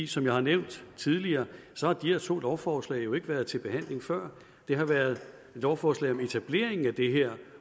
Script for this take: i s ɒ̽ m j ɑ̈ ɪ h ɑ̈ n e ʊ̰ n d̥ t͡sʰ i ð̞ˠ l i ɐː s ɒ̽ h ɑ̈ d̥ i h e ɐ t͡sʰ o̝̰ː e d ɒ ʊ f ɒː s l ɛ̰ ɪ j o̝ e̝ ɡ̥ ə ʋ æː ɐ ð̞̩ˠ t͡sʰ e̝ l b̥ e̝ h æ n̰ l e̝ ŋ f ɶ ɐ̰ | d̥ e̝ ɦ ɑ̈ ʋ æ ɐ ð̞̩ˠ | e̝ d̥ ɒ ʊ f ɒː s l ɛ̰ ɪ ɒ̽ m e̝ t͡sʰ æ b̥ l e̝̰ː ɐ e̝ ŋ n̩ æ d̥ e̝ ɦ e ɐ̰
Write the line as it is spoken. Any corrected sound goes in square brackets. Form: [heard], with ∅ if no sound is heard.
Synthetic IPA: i s ɒ̽ m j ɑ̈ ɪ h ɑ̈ n e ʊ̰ n d̥ t͡sʰ i ð̞ˠ l i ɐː s ɒ̽ h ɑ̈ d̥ i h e ɐ t͡sʰ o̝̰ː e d ɒ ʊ f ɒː s l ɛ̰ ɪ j o̝ e̝ ɡ̥ ə ʋ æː ɐ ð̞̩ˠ t͡sʰ e̝ l b̥ e̝ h æ n̰ l e̝ ŋ f ɶ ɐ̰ | d̥ e̝ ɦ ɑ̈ ʋ æ ɐ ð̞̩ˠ | e̝ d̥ ɒ ʊ f ɒː s l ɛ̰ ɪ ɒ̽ m e̝ t͡sʰ æ b̥ l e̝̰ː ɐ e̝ ŋ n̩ æ d̥ e̝ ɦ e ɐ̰